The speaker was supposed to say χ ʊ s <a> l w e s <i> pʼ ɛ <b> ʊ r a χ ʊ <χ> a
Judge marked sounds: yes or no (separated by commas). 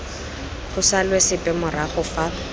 yes, no, no, no